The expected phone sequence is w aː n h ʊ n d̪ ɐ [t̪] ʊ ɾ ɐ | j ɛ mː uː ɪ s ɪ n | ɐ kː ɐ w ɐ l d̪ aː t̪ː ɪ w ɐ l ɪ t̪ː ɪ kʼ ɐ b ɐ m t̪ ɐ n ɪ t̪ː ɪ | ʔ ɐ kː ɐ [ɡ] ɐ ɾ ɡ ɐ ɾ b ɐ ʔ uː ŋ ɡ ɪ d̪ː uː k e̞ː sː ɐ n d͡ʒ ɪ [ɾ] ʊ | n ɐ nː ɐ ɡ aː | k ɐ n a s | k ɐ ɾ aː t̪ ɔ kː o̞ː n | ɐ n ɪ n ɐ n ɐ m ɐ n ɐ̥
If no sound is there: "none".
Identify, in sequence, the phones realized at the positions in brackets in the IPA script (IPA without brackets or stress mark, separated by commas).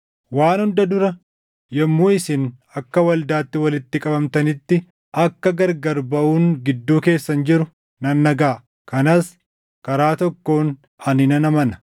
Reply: d̪, ɡ, ɾ